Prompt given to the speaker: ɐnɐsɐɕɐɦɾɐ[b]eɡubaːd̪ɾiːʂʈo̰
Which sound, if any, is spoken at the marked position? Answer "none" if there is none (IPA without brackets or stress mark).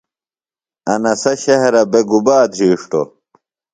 b